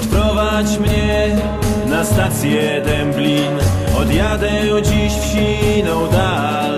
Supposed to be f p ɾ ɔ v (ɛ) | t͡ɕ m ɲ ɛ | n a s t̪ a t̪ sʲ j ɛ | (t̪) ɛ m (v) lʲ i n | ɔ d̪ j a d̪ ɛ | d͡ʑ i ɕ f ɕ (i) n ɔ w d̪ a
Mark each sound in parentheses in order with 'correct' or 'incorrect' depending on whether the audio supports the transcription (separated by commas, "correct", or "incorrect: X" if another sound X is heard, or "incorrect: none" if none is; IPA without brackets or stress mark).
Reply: incorrect: a, incorrect: d̪, incorrect: b, correct